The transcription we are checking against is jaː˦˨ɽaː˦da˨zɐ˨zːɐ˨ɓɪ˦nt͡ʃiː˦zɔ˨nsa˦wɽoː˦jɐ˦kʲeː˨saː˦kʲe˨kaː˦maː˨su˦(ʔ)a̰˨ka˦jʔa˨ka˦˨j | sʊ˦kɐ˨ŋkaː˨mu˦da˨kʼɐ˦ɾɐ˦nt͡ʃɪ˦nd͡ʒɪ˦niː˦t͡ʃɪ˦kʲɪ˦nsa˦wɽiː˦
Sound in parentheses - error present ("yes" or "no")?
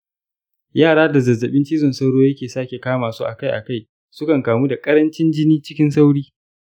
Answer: no